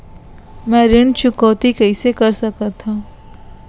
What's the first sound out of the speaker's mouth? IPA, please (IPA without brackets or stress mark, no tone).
m